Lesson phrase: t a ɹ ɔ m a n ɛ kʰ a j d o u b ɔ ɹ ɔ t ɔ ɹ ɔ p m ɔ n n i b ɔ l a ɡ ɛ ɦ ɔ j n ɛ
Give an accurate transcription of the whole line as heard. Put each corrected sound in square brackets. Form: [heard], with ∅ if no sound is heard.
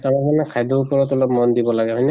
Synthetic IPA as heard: t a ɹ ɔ m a n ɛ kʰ a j d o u [p] ɔ ɹ ɔ t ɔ [l] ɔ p m ɔ n [d] i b ɔ l a ɡ ɛ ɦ ɔ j n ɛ

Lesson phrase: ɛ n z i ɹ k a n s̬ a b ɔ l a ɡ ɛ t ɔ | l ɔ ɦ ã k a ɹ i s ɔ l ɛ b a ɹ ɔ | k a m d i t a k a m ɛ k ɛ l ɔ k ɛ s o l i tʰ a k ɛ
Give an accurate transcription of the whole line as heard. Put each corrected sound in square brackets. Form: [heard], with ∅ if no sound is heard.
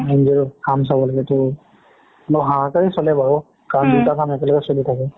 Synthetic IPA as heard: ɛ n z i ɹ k a [m] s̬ a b ɔ l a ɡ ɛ t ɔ | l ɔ ɦ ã k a ɹ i s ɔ l ɛ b a ɹ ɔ | k a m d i t a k a m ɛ k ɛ l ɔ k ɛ s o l i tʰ a k ɛ

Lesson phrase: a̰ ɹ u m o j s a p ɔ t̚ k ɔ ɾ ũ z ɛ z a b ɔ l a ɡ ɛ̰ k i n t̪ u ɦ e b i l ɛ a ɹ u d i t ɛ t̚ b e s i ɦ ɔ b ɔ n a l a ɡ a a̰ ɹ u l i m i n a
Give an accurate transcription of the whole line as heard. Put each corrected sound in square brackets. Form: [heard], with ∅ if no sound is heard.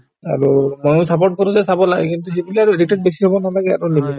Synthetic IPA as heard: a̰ ɹ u m o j s a p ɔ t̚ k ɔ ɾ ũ z ɛ [s] a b ɔ l a ɡ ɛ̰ k i n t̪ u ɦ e b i l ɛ a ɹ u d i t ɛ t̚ b e s i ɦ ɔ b ɔ n a l a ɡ [ɛ] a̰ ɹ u l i m i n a

